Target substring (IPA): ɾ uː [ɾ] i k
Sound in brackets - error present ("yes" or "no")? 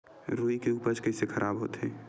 yes